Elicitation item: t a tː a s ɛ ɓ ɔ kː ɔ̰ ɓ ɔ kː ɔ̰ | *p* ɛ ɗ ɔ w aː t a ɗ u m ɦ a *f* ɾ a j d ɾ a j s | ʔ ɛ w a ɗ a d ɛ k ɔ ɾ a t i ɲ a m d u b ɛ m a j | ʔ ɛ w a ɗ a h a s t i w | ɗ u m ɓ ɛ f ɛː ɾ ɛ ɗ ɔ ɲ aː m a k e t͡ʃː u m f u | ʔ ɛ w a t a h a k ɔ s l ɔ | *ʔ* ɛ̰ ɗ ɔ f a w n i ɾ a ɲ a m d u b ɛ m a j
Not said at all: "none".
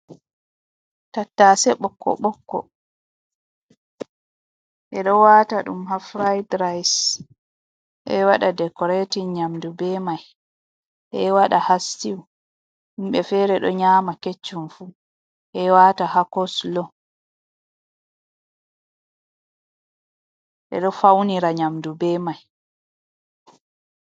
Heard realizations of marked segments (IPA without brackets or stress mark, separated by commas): ʔ, f, ʔ